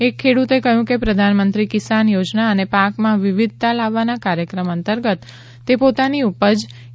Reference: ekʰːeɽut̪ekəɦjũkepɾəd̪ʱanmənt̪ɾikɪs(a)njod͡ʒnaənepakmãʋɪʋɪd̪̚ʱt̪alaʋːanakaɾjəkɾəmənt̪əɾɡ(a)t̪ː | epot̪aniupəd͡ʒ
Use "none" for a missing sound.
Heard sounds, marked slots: a, ə

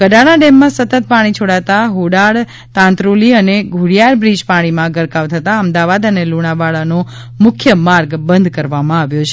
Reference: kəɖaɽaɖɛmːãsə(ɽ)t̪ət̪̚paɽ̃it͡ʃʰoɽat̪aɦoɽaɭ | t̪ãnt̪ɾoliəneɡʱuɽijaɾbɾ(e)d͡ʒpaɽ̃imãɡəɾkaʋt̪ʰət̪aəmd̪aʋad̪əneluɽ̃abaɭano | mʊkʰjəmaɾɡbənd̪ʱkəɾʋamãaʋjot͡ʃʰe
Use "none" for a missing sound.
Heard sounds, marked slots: none, i

